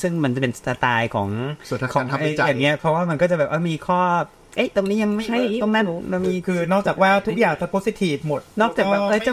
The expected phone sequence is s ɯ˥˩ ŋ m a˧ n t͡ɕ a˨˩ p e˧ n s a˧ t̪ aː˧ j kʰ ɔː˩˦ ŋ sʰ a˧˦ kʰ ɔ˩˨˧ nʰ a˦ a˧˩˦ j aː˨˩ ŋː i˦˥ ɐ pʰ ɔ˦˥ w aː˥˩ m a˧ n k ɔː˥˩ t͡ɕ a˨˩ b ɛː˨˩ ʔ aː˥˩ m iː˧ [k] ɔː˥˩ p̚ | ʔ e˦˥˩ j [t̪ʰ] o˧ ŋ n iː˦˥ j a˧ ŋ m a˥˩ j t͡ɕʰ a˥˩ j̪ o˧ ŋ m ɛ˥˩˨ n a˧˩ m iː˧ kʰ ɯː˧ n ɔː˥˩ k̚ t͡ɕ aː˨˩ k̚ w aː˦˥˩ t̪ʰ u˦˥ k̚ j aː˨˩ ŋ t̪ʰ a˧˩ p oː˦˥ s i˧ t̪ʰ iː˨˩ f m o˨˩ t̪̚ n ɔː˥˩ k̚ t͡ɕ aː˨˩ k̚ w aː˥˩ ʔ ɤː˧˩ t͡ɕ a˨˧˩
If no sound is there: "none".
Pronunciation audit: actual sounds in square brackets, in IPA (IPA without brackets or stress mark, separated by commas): kʰ, t̪